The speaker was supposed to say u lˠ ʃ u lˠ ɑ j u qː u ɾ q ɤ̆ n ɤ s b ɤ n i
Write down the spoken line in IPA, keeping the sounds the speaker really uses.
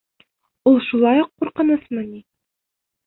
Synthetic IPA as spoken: u lˠ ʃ u lˠ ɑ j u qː u ɾ q ɤ̆ n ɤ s m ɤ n i